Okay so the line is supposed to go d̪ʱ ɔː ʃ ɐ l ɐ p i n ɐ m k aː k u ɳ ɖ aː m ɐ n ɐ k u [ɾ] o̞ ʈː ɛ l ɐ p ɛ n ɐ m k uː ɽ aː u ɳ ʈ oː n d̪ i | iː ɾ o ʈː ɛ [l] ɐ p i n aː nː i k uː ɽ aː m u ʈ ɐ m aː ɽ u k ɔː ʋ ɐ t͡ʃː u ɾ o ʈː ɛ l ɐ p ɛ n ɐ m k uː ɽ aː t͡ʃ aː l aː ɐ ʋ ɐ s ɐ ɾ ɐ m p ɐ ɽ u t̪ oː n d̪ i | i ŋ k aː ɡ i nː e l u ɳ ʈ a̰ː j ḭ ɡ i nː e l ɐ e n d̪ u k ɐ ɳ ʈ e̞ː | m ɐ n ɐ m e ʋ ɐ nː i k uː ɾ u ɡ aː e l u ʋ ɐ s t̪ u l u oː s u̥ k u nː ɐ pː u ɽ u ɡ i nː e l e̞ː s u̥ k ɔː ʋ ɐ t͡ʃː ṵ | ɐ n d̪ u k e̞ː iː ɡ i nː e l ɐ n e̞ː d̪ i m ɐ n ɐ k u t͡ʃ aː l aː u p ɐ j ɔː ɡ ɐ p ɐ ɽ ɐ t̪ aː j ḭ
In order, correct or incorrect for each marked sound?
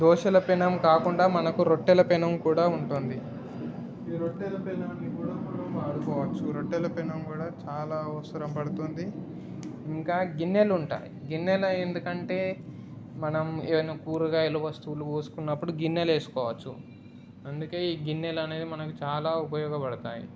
correct, correct

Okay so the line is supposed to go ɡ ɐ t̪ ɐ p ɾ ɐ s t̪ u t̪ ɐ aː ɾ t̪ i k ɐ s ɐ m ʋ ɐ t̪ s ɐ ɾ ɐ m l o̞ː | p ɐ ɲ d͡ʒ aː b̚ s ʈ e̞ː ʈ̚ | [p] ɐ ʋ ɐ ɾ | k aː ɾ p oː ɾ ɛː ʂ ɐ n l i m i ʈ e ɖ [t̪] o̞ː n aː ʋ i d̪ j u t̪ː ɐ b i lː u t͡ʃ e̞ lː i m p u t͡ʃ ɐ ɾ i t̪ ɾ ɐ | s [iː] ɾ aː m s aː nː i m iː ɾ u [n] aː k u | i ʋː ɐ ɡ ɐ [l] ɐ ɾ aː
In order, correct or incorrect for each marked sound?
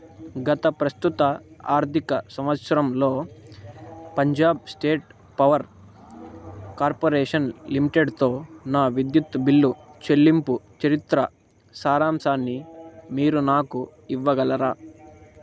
correct, correct, incorrect: aː, correct, correct

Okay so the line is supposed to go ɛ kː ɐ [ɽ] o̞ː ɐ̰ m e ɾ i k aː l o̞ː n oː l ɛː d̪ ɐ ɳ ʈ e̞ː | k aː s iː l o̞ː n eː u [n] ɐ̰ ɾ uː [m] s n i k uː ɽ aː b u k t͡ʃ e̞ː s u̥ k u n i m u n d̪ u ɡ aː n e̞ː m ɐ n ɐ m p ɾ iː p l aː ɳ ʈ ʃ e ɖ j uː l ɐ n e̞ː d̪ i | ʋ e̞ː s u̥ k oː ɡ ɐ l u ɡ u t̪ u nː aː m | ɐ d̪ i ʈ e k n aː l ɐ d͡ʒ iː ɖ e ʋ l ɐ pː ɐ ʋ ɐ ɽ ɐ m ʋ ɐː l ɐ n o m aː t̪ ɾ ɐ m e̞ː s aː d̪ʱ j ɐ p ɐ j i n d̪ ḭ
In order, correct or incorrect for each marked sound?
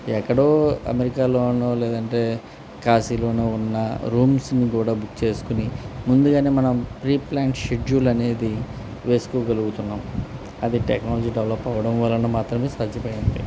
correct, incorrect: nː, correct

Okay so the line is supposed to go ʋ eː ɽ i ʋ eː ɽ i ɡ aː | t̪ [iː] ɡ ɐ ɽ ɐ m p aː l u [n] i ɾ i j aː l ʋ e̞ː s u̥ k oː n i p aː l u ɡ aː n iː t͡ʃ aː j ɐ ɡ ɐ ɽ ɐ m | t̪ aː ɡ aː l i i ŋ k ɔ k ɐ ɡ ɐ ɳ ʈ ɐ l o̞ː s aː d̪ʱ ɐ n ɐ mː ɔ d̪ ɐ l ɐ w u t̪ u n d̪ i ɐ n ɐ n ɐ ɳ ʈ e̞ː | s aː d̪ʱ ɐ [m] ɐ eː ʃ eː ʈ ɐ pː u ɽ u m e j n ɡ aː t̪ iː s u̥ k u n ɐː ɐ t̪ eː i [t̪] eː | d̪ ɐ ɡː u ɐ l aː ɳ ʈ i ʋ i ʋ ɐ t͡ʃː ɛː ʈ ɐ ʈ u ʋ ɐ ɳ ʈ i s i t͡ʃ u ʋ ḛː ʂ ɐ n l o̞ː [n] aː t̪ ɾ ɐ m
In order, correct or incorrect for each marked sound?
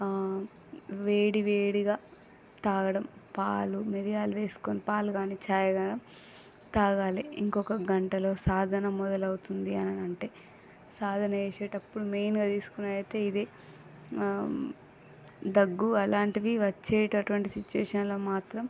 incorrect: aː, incorrect: m, incorrect: n, incorrect: d̪, incorrect: m

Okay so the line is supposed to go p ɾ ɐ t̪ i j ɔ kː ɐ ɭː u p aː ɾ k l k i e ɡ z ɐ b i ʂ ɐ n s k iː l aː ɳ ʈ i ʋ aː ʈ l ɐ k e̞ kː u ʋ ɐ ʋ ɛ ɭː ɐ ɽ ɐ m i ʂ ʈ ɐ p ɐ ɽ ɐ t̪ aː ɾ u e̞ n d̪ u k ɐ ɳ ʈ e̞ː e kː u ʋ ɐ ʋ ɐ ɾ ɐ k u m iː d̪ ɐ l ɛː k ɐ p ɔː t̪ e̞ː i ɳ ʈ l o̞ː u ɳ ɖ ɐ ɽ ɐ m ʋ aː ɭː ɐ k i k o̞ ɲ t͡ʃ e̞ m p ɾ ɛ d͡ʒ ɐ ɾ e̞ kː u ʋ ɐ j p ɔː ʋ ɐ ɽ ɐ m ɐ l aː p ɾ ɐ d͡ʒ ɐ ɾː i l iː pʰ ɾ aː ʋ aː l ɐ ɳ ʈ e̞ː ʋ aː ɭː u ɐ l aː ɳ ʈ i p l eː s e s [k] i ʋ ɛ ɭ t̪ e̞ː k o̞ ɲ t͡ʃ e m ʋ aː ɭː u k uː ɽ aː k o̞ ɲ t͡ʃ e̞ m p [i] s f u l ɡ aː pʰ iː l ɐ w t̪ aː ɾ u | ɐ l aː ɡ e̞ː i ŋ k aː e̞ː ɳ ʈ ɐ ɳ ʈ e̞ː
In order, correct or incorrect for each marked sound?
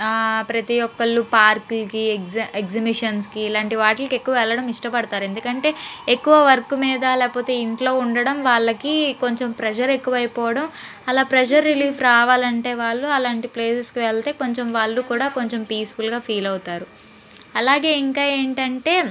correct, incorrect: iː

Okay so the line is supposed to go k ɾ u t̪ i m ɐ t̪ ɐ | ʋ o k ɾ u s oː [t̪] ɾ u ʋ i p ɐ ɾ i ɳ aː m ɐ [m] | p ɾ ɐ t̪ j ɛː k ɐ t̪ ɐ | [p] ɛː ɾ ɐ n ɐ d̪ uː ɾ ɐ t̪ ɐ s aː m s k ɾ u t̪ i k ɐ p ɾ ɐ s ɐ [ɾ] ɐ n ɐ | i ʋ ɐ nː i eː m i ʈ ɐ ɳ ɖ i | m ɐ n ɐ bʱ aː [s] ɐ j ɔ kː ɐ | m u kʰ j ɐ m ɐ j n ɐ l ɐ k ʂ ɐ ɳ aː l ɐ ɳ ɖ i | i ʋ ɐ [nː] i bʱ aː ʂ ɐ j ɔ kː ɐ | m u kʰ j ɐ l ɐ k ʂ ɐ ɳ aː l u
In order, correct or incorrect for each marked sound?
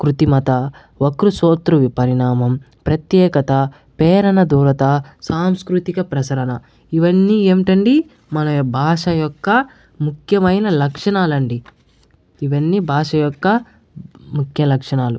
correct, correct, correct, correct, incorrect: ʂ, correct

